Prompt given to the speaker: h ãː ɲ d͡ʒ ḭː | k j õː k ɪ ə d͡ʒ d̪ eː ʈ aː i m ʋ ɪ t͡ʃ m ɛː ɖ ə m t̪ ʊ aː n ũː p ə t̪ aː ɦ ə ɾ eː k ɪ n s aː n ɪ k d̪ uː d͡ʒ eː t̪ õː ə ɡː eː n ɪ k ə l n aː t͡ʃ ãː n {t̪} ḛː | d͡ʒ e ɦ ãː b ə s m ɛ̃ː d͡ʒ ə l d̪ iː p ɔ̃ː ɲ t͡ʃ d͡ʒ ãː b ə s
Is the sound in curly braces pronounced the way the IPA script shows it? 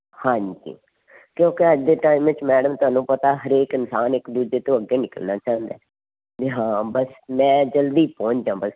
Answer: no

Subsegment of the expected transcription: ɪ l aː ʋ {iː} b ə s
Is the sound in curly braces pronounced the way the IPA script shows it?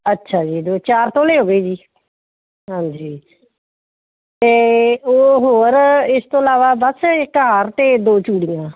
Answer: no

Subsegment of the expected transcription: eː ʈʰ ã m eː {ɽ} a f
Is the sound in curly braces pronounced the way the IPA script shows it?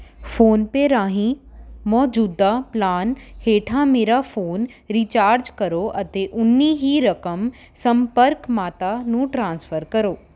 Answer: no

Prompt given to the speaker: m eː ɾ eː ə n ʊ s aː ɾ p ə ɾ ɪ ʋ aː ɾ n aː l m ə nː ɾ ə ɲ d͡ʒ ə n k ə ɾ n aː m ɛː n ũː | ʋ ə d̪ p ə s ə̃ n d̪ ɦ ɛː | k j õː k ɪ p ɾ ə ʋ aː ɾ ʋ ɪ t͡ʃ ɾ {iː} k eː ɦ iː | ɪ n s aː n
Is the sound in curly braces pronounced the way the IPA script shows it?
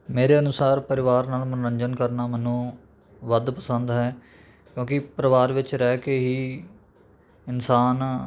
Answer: no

